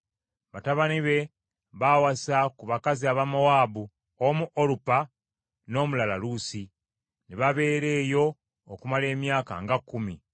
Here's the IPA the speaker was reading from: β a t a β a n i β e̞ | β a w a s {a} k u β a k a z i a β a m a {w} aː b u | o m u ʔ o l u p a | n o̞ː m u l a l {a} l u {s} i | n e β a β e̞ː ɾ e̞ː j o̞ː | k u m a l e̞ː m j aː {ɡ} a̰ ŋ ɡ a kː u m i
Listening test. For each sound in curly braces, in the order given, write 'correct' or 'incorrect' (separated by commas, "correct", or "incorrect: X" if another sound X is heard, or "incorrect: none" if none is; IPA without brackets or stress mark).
correct, correct, correct, correct, incorrect: k